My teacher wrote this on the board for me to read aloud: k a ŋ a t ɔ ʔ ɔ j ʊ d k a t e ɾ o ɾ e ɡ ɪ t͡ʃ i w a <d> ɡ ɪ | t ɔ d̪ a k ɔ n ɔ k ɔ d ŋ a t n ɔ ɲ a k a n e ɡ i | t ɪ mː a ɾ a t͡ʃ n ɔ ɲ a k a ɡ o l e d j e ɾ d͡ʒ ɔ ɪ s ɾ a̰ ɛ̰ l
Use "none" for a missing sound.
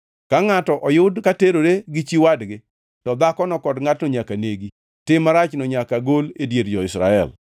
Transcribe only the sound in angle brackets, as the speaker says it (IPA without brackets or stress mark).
d